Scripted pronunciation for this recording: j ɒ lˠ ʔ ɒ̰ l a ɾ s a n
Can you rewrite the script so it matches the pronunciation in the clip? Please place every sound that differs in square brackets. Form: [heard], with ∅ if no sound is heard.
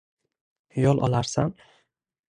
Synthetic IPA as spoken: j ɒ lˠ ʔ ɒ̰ l a ɾ s a n